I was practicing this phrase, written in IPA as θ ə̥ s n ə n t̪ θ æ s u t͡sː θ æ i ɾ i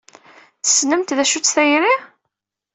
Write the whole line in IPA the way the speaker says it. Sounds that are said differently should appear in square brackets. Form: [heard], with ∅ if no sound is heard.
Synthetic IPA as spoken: θ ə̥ s n ə [m] t̪ [ð] æ [ʃ] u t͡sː θ æ [j] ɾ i